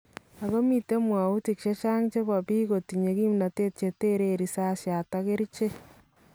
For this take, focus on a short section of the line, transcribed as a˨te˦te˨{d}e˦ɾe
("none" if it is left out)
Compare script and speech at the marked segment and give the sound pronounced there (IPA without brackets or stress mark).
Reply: t